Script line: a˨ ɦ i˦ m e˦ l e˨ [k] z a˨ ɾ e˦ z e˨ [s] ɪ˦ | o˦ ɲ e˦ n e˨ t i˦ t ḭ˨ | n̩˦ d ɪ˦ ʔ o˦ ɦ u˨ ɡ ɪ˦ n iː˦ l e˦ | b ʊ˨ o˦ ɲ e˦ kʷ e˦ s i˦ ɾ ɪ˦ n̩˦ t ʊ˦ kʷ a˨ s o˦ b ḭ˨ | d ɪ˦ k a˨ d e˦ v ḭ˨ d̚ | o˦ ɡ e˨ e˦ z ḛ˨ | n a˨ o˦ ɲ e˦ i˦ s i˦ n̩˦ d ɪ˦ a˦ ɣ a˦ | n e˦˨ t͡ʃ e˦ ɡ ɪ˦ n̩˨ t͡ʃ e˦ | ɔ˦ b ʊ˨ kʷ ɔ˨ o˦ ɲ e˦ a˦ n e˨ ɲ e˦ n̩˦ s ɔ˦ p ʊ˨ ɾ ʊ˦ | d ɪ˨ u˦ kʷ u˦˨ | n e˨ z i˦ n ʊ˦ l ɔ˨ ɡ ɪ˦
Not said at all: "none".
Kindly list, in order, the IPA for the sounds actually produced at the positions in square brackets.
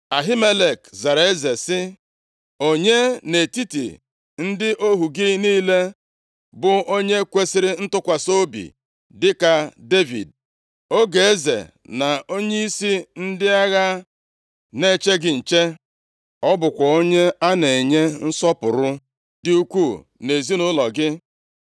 k, s

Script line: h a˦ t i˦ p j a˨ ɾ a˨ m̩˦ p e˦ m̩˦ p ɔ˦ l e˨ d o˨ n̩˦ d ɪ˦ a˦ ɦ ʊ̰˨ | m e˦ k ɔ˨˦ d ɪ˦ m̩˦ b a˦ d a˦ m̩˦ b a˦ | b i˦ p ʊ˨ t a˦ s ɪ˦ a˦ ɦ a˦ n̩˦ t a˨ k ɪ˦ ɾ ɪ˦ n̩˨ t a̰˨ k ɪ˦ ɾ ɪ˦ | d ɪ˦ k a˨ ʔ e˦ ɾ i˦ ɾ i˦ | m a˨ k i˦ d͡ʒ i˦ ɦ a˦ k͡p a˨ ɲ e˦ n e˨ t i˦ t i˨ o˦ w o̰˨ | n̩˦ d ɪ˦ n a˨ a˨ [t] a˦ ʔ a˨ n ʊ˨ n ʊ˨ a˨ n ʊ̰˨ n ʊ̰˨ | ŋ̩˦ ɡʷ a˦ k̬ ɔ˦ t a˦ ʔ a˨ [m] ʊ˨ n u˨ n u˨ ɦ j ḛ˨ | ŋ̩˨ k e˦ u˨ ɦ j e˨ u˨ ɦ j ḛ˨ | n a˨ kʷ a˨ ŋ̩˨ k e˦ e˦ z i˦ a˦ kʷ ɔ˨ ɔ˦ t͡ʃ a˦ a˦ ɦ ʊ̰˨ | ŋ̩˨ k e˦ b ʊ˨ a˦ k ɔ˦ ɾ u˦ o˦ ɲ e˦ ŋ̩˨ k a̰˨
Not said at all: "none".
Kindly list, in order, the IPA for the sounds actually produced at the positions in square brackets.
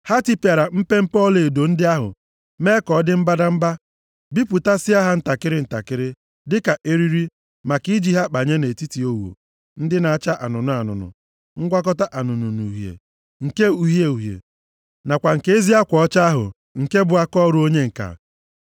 t͡ʃ, n

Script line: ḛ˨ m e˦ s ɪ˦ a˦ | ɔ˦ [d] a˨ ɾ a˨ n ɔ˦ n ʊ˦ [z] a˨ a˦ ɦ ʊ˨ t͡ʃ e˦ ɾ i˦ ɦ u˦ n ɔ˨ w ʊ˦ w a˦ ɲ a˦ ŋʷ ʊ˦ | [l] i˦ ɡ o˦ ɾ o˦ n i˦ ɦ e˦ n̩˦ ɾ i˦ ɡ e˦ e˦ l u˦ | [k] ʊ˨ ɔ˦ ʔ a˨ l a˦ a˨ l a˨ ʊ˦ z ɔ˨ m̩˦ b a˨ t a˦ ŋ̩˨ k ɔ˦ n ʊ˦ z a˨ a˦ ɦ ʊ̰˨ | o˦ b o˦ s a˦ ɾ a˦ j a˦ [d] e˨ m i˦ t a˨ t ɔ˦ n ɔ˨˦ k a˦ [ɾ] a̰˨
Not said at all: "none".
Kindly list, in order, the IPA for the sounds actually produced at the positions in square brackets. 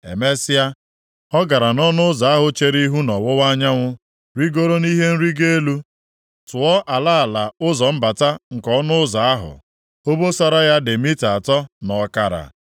ɡ, z, ɾ, t, d, ɾ

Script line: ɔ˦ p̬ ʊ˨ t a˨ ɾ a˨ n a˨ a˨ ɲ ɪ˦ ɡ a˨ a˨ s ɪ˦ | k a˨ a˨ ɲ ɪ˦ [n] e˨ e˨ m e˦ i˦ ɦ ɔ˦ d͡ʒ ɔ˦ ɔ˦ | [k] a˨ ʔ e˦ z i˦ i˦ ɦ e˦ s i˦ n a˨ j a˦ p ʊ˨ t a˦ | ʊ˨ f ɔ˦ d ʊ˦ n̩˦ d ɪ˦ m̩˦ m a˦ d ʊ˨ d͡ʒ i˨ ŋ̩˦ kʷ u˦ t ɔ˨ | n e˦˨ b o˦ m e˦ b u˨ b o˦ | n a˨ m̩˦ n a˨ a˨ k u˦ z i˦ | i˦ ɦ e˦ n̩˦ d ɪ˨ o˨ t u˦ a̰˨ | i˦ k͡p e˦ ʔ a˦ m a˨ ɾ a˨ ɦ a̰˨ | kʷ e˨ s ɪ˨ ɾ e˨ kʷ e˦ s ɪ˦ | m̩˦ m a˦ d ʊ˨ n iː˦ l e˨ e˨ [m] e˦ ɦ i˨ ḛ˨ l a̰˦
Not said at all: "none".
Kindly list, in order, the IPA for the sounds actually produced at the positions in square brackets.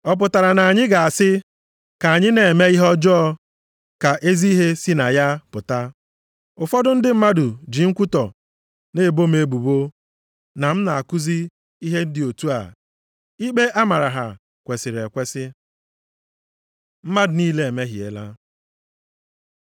n, k, m

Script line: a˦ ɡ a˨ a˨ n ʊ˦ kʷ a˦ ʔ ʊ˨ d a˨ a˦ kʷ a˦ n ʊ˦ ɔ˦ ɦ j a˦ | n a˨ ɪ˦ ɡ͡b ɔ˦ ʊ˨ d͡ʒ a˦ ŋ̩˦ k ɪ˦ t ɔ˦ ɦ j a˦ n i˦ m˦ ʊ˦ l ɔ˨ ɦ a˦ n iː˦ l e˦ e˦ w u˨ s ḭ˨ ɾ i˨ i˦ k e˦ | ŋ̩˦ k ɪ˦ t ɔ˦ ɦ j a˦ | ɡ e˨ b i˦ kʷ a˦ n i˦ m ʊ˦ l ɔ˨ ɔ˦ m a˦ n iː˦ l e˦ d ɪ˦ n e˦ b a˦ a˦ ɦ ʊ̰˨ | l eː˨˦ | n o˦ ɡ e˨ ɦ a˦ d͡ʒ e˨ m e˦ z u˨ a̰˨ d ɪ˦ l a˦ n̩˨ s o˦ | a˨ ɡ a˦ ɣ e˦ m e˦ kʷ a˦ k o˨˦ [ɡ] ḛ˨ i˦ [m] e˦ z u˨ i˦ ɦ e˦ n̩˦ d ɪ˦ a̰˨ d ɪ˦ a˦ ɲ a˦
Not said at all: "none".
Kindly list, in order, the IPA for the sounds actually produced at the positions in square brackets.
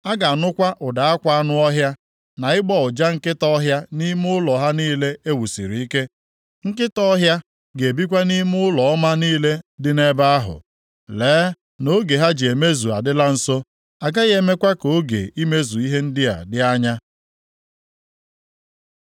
ɡ, m

